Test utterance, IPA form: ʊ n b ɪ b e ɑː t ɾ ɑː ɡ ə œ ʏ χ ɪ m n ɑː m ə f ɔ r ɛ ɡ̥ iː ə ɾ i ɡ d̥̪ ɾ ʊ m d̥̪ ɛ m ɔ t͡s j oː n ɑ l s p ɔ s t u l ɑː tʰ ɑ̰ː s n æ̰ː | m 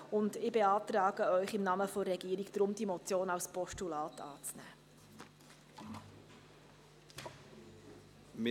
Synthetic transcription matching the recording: ʊ n d ɪ b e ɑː t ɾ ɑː ɡ ə œ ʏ χ ɪ m n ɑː m ə f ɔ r ɛ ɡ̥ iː ə ɾ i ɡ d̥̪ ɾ ʊ m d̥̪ i m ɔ t͡s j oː n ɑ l s p ɔ ʃ t u l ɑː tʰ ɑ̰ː t͡s n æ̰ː | m